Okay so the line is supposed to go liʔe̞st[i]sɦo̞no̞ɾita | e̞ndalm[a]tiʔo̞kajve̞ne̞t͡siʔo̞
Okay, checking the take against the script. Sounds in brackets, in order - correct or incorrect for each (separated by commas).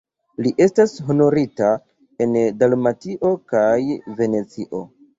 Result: incorrect, correct